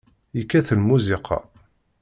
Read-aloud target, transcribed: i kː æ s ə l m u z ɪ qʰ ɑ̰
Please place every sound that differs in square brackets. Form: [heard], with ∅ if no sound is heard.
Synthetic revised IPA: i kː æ [θ] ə l m u z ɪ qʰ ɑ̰